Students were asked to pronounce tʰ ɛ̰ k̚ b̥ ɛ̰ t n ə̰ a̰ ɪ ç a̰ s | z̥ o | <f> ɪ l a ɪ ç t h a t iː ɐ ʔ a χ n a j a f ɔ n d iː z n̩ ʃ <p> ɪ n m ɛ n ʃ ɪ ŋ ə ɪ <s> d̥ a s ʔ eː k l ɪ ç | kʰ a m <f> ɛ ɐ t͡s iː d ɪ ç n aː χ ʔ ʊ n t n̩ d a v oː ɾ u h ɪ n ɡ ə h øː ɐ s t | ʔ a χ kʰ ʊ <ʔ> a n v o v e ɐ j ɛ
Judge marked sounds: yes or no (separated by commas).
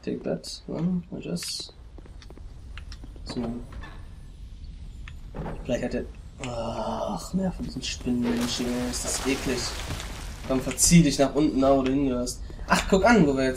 yes, yes, yes, yes, no